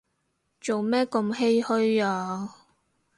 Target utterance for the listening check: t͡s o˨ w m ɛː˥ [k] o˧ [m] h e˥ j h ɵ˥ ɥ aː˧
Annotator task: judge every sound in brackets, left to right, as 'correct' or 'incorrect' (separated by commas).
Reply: correct, correct